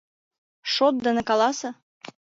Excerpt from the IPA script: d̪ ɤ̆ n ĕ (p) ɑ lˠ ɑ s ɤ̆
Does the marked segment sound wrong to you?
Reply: yes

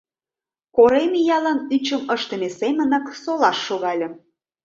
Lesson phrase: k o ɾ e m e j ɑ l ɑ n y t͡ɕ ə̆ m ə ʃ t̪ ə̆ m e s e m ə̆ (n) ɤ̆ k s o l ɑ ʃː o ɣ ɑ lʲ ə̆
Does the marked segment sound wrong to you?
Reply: no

